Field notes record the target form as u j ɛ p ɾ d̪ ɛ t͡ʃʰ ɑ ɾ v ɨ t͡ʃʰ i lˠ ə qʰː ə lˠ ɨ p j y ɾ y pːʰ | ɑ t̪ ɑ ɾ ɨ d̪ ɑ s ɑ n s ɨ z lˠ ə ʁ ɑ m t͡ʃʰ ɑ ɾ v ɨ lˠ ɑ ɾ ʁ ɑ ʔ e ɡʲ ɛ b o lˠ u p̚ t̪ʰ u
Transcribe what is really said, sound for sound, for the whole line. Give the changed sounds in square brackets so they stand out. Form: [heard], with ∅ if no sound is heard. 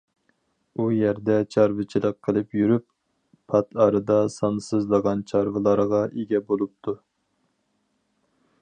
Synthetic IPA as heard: u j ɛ [∅] ɾ d̪ ɛ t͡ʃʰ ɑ ɾ v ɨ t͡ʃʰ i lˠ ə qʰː ə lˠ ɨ p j y ɾ y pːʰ | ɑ t̪ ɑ ɾ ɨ d̪ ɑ s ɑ n s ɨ z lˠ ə ʁ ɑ [n] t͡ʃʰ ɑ ɾ v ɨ lˠ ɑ ɾ ʁ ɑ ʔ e ɡʲ ɛ b o lˠ u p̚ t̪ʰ u